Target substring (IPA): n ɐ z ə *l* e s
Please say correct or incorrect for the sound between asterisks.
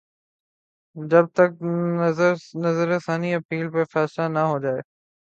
incorrect